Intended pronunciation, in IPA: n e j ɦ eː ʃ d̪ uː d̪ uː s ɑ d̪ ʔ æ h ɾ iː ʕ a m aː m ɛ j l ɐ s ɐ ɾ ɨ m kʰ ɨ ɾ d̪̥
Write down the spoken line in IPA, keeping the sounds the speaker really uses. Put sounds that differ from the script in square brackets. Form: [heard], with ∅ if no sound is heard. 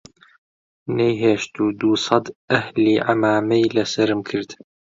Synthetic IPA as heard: n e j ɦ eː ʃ [t̪] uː d̪ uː s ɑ d̪ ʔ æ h [l] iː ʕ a m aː m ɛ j l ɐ s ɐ ɾ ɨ m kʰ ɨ ɾ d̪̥